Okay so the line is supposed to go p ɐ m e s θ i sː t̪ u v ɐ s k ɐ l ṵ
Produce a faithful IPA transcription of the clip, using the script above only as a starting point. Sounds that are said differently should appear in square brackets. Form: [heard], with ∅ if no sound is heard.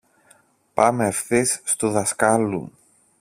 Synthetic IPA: p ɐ m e [f] θ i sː t̪ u [ð] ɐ s k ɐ l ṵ